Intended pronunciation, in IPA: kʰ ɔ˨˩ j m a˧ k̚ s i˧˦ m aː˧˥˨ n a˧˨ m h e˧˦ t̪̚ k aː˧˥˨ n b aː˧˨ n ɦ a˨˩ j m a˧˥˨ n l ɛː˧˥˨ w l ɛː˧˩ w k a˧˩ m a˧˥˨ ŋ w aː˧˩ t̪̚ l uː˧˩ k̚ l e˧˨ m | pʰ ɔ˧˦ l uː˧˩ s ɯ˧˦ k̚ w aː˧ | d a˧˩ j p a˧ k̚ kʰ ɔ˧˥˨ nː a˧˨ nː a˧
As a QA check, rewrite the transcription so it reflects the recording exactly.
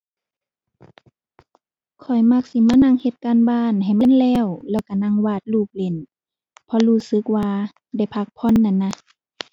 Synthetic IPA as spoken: kʰ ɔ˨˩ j m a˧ k̚ s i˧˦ m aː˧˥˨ n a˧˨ ŋ h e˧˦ t̪̚ k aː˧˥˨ n b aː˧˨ n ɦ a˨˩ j m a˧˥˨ n l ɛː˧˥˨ w l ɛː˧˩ w k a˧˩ n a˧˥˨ ŋ w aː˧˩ t̪̚ l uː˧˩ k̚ l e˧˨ n | pʰ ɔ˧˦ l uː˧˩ s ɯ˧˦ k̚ w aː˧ | d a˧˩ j pʰ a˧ k̚ pʰ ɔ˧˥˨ nː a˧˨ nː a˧

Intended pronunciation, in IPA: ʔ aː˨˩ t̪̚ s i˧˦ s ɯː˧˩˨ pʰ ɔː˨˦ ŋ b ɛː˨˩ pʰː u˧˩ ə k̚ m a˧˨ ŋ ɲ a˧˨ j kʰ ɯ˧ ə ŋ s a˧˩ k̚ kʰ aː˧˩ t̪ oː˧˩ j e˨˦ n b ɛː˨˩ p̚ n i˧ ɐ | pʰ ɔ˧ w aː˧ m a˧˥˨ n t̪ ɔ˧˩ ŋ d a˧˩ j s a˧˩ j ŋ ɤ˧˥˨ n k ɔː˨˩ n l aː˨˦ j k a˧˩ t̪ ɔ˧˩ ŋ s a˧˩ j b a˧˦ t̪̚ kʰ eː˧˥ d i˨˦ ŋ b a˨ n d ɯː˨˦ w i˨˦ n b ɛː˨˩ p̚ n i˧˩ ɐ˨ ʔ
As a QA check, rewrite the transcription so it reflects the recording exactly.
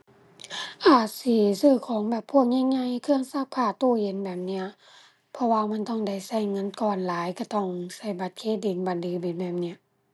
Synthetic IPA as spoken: ʔ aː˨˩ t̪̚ s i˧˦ s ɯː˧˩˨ kʰ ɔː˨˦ ŋ b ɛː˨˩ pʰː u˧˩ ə k̚ ɲ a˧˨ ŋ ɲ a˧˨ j kʰ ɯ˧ ə ŋ s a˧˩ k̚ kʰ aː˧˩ t̪ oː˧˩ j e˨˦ n b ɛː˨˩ p̚ n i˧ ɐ | pʰ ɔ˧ w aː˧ m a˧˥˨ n t̪ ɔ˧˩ ŋ d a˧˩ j s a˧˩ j ŋ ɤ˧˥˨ n k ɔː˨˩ n l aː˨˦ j k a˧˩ t̪ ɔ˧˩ ŋ s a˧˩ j b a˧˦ t̪̚ kʰ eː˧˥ d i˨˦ n b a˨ n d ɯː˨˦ b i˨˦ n b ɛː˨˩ p̚ n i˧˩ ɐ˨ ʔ

